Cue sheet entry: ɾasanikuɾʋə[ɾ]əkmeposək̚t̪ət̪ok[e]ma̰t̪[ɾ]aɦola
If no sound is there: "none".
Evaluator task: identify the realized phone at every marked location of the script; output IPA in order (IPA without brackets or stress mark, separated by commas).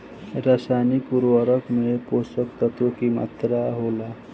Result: ɾ, i, ɾ